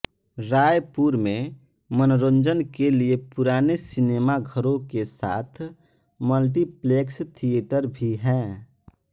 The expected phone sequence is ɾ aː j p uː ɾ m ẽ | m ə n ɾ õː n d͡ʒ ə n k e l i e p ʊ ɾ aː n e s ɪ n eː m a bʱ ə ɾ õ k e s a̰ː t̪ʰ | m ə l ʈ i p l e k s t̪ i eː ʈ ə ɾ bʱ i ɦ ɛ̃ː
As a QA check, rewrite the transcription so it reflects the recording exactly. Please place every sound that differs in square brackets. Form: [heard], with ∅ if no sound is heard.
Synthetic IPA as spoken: ɾ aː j p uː ɾ m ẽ | m ə n ɾ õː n d͡ʒ ə n k e l i e p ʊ ɾ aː n e s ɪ n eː m a [ɡʱ] ə ɾ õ k e s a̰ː t̪ʰ | m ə l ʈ i p l e k s [t̪ʰ] i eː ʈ ə ɾ bʱ i ɦ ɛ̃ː